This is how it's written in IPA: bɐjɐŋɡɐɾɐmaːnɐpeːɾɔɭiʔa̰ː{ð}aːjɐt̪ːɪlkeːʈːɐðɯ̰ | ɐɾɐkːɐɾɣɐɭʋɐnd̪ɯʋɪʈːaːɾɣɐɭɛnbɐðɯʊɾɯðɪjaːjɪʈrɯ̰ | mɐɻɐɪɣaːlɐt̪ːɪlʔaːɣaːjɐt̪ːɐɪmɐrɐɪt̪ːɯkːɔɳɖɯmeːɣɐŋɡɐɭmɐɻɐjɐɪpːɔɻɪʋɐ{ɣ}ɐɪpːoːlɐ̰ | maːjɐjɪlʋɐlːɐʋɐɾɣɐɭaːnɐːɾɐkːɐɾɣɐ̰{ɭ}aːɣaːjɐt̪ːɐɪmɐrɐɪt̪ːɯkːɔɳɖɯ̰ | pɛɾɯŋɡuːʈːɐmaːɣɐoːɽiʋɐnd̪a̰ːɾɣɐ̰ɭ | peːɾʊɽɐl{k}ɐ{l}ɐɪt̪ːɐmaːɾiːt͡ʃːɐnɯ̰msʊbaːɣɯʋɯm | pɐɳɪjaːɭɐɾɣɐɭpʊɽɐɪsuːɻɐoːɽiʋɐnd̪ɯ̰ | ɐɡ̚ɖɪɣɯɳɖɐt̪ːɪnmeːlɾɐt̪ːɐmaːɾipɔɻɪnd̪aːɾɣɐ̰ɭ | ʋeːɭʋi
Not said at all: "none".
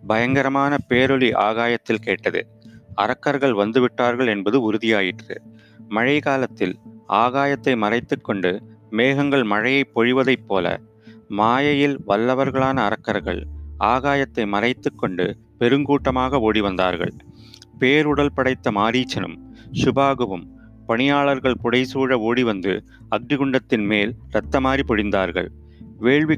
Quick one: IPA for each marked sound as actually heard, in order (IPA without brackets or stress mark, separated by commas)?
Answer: ɣ, ð, ɭ, p, ɽ